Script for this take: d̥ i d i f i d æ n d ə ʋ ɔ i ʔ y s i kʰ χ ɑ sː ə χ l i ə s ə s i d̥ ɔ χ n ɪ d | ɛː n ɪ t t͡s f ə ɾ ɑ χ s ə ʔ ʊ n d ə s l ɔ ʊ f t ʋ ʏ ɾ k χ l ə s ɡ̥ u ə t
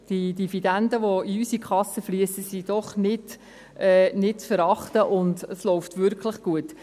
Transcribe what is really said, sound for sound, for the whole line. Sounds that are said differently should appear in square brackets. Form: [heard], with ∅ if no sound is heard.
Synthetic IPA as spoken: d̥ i d i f i d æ n d ə ʋ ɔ i [∅] y s i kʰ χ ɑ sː ə [f] l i ə s ə s i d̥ ɔ χ n ɪ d | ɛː n ɪ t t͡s f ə ɾ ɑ χ [t] ə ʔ ʊ n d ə s l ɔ ʊ f t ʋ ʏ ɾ k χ l ə [χ] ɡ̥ u ə t